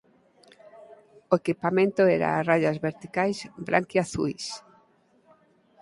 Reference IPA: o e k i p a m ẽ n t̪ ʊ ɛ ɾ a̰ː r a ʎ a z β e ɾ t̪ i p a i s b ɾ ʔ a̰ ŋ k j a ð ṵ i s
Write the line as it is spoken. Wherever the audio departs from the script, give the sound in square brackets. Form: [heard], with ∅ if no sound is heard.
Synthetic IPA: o e k i p a m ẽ n t̪ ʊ ɛ ɾ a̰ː r a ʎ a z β e ɾ t̪ i [k] a [j] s b ɾ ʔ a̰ ŋ k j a [θ] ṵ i s